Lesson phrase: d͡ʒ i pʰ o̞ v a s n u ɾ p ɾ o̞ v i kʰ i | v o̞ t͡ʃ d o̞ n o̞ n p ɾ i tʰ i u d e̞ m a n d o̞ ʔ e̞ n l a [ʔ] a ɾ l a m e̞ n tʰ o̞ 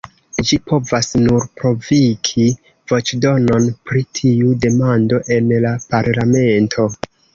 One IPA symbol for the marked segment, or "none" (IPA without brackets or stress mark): p